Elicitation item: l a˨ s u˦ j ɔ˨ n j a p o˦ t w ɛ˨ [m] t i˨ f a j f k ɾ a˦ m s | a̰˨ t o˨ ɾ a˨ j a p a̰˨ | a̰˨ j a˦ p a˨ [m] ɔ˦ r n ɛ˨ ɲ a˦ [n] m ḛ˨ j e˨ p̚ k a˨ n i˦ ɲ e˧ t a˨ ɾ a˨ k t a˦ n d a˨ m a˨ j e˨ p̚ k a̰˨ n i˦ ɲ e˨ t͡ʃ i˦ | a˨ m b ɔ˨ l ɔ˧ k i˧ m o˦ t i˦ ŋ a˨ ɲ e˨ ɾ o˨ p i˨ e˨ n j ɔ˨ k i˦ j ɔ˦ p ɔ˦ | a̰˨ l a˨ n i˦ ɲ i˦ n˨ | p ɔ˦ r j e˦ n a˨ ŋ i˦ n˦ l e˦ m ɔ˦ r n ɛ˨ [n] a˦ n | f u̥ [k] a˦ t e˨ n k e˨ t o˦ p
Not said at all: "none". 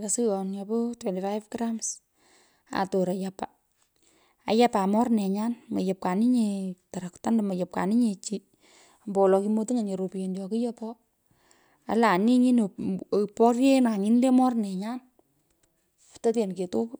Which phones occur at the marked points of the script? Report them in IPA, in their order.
n, m, n, ɲ, t

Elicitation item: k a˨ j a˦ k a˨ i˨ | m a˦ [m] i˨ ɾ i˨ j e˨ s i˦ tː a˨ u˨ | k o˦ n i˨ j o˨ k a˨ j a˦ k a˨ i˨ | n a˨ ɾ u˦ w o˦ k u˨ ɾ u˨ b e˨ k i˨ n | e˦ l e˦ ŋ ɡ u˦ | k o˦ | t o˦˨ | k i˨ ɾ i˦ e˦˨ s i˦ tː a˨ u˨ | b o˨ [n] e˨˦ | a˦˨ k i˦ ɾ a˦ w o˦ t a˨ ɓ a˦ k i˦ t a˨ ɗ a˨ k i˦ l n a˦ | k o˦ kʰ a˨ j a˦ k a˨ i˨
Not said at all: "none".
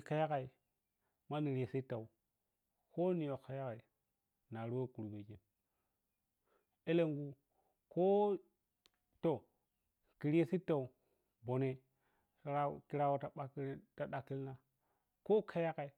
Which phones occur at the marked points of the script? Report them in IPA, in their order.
n, n

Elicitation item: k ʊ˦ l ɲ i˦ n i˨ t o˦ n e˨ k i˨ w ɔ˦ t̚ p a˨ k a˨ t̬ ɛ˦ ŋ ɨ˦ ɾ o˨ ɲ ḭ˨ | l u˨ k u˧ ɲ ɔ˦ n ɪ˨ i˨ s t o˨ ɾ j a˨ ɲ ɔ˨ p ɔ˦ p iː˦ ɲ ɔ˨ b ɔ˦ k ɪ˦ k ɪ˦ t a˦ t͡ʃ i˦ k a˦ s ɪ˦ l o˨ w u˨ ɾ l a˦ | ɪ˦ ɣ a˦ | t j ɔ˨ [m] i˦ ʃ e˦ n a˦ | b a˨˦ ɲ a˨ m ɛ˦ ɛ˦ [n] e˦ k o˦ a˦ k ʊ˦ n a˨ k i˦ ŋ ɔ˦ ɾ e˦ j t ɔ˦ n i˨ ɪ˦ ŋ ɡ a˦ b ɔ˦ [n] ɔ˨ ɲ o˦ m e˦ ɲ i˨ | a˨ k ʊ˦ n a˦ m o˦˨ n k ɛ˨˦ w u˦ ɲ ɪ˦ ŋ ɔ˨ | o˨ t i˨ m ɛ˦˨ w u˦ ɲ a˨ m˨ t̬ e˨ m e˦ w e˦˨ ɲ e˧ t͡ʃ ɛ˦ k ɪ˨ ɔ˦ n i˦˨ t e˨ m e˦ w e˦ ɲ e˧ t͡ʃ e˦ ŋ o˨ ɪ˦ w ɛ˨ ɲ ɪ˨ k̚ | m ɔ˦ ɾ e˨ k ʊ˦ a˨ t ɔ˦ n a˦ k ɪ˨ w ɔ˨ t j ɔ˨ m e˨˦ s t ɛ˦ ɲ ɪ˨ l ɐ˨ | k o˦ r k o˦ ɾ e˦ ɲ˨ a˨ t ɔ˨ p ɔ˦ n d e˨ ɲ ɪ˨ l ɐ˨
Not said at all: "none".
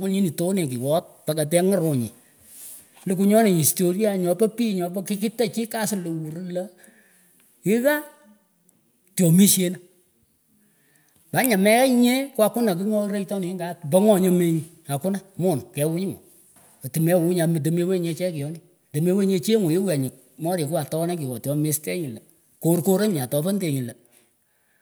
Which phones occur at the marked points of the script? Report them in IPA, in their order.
m, ɲ, ŋ

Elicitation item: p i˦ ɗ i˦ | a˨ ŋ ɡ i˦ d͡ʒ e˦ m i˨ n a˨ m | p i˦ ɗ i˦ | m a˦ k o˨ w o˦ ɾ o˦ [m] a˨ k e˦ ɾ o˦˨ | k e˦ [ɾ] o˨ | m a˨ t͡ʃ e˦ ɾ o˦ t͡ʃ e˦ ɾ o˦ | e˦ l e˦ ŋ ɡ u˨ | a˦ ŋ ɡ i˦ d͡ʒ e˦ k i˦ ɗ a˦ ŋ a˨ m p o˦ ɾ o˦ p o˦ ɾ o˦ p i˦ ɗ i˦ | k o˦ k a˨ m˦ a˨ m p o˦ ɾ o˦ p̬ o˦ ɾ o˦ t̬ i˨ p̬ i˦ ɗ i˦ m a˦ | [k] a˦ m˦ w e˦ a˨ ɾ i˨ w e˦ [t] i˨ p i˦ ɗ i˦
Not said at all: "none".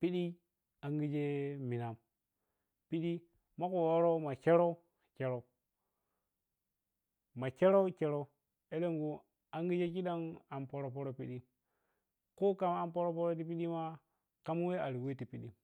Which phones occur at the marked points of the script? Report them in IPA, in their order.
m, ɾ, k, t

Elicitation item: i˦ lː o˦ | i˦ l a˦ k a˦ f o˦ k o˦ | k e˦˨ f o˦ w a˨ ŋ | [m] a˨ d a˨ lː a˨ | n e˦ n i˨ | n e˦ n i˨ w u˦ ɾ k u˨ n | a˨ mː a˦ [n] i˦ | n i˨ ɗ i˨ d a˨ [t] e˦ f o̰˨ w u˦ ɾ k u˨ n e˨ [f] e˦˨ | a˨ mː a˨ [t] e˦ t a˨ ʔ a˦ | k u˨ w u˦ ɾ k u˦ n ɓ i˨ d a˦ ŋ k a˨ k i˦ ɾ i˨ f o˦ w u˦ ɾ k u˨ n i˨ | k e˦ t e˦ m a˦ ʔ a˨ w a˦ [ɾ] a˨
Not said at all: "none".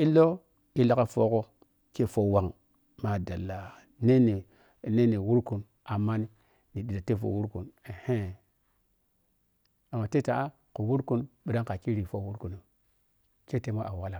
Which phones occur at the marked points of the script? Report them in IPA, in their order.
m, n, t, h, t, l

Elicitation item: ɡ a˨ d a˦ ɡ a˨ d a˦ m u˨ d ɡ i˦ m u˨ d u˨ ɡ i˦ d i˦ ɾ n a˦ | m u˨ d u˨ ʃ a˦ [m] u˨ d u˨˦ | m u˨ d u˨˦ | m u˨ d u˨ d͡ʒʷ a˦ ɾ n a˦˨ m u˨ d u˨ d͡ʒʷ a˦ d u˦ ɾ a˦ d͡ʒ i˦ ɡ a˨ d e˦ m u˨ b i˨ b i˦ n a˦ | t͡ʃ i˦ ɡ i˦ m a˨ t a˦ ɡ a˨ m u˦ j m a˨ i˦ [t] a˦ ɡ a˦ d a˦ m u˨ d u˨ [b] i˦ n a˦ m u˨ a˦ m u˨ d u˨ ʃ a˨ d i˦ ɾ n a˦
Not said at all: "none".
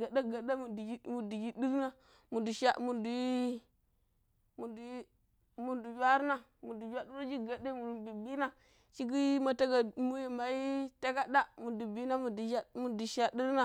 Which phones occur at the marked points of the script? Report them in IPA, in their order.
m, t, b

